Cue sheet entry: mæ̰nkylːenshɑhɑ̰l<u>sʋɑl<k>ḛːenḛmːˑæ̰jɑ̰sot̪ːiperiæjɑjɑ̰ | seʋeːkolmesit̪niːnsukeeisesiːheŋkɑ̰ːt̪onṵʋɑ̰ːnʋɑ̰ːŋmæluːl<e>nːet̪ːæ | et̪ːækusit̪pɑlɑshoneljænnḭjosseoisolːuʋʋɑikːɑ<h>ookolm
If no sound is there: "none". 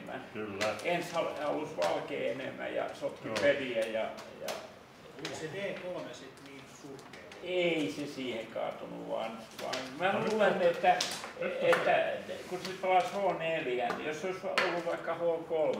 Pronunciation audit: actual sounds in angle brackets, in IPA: u, k, e, h

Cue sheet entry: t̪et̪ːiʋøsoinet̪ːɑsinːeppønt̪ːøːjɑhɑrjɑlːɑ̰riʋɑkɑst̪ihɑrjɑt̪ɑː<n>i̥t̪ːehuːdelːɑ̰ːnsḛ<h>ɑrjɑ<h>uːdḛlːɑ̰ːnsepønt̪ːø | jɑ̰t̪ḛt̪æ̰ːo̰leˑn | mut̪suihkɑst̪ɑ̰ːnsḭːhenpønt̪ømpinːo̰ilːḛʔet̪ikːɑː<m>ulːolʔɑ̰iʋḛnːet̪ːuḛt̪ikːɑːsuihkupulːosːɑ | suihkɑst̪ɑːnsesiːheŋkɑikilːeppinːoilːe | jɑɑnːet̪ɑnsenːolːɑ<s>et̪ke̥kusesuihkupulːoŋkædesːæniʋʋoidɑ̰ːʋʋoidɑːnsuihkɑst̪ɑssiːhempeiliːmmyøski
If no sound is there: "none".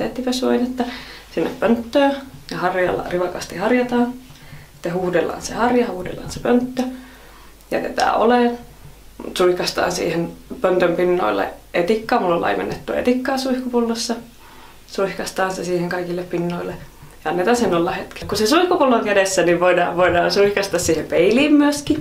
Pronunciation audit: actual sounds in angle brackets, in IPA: n, h, h, m, h

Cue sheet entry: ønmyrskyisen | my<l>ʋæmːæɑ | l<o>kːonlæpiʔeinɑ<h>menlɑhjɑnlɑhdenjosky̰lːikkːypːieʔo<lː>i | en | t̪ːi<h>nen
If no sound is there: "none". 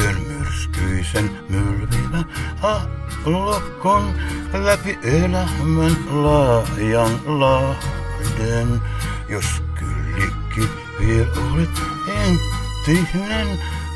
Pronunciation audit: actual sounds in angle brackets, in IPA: l, o, h, l, h

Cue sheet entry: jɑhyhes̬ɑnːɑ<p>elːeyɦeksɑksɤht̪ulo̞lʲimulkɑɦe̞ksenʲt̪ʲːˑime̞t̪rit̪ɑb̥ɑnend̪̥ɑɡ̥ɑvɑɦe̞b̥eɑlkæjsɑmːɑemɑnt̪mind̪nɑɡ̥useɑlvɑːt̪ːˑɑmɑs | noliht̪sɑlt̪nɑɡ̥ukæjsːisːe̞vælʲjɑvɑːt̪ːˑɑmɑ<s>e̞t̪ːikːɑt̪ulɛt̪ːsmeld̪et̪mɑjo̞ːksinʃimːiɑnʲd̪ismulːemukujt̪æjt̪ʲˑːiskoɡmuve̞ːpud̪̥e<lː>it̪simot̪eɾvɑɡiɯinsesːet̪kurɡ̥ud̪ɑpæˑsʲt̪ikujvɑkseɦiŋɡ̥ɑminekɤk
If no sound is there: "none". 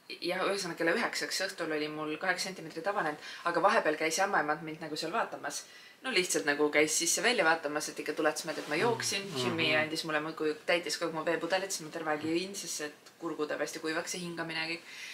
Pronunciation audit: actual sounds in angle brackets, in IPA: k, s, l

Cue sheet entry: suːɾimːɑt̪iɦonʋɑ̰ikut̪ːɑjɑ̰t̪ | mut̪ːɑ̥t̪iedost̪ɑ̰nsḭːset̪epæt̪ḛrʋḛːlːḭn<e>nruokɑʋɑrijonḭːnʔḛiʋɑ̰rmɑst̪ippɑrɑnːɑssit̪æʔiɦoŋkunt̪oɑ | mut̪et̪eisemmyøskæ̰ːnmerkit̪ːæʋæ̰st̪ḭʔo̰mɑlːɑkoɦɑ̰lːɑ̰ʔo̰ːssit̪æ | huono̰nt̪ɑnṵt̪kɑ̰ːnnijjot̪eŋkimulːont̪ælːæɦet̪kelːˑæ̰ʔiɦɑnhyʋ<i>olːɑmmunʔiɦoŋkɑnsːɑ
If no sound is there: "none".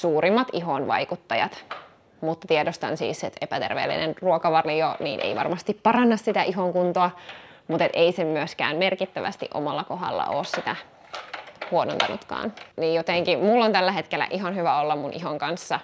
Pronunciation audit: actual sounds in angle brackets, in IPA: e, æ

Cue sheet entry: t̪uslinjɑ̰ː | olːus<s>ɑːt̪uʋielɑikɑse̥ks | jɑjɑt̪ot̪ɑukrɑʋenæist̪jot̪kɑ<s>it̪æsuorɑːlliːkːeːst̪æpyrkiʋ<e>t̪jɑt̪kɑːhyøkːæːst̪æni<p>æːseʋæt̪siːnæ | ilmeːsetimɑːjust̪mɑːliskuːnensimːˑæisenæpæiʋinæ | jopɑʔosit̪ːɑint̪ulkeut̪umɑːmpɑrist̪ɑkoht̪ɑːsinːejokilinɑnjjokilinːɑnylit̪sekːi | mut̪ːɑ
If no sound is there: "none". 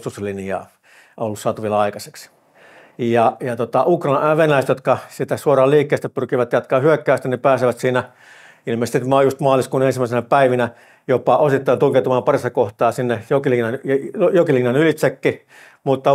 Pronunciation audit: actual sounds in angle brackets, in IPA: s, s, æ, p

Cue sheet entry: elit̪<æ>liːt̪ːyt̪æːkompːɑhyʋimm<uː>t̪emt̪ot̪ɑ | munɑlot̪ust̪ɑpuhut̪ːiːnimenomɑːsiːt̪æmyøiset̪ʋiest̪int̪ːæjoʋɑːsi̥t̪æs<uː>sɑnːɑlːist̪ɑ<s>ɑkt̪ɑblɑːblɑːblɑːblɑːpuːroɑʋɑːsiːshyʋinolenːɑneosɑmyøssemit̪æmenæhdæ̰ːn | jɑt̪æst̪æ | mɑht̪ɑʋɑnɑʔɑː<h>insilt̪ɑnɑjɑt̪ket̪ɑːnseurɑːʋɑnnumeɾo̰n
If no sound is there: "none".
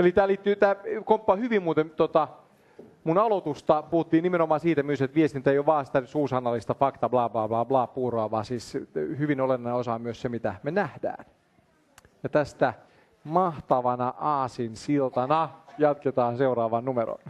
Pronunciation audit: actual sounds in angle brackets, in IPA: æː, uː, uː, f, s

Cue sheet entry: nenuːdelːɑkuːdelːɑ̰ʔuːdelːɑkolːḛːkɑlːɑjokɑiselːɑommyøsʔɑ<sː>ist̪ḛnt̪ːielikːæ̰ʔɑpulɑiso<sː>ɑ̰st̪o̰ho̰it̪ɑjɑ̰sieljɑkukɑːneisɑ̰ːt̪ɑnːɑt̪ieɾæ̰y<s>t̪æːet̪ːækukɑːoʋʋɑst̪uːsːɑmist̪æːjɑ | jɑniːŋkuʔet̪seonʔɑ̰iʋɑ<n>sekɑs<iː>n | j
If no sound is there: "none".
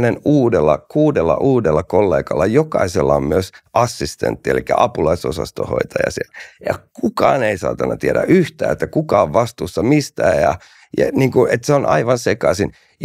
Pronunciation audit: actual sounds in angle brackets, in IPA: sː, s, h, n, i

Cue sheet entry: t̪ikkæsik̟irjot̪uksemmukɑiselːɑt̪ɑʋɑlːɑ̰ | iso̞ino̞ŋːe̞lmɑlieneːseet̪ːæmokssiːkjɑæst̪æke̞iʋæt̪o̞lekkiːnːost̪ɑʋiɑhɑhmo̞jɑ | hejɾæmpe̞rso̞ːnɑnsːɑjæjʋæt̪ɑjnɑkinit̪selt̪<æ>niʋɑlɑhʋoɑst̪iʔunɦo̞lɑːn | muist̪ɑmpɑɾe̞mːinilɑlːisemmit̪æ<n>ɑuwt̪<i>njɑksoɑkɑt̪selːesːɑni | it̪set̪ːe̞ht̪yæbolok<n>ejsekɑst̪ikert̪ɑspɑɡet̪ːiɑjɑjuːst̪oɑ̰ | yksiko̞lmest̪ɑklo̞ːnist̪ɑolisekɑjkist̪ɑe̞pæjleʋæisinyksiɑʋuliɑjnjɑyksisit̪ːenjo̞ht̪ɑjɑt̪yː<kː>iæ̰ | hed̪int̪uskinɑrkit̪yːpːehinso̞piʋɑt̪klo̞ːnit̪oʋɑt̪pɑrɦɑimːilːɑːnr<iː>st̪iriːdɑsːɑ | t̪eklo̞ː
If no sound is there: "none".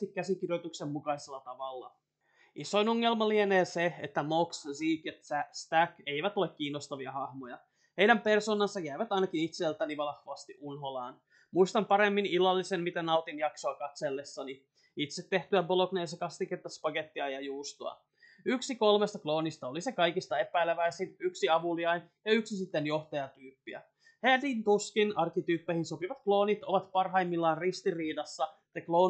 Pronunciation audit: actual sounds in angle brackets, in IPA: æ, n, i, n, pː, i

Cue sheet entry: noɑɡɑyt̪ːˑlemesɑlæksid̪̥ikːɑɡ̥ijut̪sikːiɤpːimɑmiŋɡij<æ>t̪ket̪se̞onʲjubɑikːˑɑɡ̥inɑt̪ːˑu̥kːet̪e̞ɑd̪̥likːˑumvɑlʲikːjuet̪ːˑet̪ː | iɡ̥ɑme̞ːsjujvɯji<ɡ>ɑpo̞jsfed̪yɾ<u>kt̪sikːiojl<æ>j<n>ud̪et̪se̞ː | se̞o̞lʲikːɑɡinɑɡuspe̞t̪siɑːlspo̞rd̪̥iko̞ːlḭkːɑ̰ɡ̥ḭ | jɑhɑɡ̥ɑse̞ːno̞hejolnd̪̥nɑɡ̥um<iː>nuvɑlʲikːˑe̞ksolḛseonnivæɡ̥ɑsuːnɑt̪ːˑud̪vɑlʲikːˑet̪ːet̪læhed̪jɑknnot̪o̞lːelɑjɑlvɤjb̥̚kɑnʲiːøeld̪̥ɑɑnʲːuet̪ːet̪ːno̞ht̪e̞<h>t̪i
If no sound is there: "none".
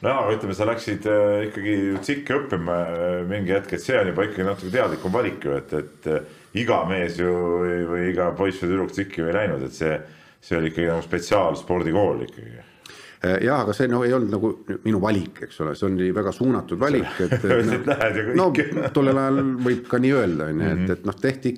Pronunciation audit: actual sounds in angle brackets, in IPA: æ, ɡ, u, æ, n, i, h

